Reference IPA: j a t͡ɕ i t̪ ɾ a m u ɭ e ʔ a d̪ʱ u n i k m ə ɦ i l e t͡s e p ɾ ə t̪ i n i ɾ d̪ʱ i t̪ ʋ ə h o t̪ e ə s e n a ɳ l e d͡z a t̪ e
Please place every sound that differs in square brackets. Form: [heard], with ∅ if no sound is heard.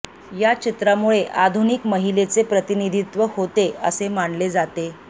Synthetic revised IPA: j a t͡ɕ i t̪ ɾ a m u ɭ e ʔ a d̪ʱ u n i k m ə ɦ i l e t͡s e p ɾ ə t̪ i n i [∅] d̪ʱ i t̪ ʋ ə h o t̪ e ə s e [m] a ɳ l e d͡z a t̪ e